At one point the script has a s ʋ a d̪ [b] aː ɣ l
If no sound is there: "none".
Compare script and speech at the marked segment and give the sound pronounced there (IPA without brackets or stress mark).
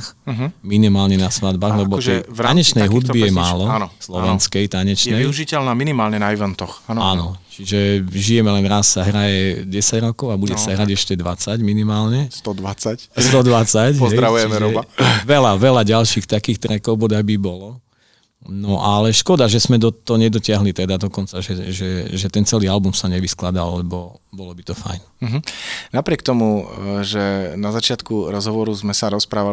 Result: b